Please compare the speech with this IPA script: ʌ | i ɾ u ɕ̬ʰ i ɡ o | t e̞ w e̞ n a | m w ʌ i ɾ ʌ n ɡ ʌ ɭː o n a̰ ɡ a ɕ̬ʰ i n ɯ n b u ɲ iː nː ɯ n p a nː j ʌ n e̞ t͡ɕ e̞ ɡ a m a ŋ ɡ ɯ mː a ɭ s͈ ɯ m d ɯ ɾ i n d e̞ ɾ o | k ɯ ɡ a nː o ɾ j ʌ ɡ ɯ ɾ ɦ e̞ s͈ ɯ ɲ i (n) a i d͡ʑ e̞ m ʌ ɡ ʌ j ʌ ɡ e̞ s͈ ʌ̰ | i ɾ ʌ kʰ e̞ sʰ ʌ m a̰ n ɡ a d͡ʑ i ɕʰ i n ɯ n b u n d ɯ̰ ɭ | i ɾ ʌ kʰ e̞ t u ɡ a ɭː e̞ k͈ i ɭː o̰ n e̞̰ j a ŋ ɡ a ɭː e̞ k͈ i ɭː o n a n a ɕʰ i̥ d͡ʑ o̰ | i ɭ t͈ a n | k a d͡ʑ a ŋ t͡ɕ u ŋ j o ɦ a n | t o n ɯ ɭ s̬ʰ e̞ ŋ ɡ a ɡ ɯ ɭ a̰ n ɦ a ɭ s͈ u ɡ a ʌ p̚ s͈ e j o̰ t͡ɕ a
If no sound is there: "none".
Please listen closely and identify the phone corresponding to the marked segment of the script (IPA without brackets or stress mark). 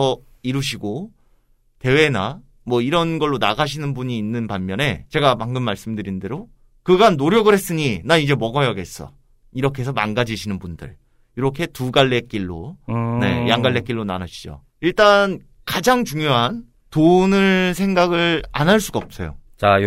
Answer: n